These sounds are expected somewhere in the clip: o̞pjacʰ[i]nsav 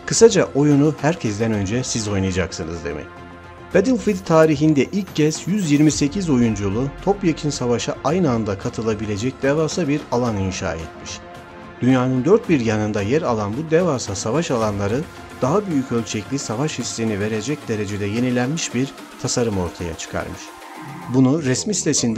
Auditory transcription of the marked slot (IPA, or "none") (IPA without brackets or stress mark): i